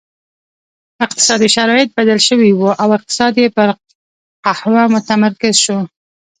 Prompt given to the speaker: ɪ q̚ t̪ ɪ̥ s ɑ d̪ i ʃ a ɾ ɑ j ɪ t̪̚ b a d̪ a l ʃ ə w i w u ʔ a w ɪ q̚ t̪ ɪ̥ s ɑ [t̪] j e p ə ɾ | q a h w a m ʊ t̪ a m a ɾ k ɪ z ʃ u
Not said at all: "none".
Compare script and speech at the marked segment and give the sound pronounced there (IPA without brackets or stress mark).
d̪